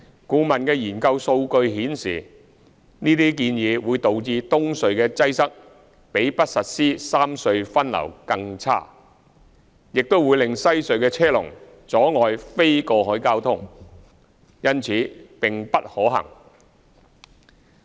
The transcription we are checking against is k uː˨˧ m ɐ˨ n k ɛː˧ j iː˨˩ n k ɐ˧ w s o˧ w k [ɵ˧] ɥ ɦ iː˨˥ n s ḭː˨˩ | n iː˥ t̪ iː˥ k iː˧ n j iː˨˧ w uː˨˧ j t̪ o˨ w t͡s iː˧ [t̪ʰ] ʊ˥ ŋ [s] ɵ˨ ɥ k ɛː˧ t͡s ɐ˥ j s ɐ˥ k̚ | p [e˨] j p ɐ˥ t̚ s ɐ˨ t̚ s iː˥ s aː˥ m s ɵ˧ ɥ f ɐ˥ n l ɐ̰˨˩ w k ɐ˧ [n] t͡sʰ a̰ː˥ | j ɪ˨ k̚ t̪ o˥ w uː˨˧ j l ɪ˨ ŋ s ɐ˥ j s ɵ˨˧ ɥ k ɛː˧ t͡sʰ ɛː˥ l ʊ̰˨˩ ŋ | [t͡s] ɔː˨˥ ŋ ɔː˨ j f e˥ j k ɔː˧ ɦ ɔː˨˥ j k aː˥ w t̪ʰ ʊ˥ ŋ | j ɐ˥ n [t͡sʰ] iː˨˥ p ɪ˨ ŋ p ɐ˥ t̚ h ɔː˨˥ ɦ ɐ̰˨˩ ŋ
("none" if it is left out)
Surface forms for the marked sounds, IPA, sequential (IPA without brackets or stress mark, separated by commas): ɵ˧, t̪, s, e˨˥, ŋ, t͡s, t͡sʰ